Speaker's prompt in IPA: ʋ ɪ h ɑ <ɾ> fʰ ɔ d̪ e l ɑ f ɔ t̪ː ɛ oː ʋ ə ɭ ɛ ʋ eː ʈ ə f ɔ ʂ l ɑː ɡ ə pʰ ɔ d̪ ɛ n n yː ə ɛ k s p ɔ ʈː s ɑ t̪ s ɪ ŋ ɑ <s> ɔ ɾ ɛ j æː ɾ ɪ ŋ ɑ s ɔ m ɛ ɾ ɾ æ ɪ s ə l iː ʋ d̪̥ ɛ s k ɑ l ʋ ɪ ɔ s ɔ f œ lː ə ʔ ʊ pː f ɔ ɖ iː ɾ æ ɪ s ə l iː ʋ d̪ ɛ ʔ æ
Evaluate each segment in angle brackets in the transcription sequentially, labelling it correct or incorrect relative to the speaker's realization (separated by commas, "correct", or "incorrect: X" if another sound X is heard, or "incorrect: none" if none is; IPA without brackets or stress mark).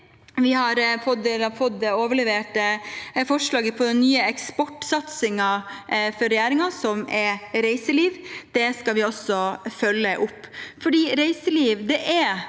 correct, incorrect: f